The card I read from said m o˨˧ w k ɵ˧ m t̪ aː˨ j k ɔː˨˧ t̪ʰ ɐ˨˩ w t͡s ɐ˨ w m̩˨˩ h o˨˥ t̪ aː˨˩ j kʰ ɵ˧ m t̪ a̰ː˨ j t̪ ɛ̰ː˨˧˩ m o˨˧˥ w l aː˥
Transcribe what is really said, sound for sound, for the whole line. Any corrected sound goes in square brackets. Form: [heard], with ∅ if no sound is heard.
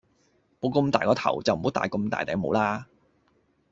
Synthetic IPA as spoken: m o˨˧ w k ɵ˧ m t̪ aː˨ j k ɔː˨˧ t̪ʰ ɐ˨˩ w t͡s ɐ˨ w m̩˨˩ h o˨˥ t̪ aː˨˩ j [k] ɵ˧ m t̪ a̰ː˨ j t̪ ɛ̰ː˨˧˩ m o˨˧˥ w l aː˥